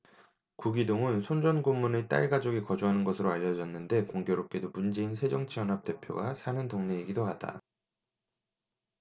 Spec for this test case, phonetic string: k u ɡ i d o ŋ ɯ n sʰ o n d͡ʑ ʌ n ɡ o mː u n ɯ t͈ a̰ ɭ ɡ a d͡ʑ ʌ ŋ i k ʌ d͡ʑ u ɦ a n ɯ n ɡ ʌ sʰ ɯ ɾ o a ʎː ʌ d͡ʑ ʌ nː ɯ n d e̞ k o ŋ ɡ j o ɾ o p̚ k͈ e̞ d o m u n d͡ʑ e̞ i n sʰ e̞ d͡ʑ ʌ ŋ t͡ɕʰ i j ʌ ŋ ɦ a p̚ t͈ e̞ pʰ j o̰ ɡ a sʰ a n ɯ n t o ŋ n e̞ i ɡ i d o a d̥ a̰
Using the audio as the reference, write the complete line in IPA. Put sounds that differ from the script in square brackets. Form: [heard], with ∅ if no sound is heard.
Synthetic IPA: k u ɡ i d o ŋ ɯ n sʰ o n d͡ʑ ʌ n ɡ o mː u n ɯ t͈ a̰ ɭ ɡ a d͡ʑ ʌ [ɡ] i k ʌ d͡ʑ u ɦ a n ɯ n ɡ ʌ sʰ ɯ ɾ o a ʎː ʌ d͡ʑ ʌ nː ɯ n d e̞ k o ŋ ɡ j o ɾ o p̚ k͈ e̞ d o m u n d͡ʑ e̞ i n sʰ e̞ d͡ʑ ʌ ŋ t͡ɕʰ i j ʌ [n] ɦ a p̚ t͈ e̞ pʰ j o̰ ɡ a sʰ a n ɯ n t o ŋ n e̞ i ɡ i d o a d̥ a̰